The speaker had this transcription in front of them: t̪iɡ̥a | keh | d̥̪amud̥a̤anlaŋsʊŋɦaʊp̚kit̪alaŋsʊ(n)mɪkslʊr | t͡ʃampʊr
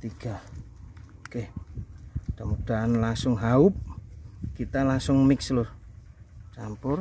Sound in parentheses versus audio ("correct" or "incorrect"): incorrect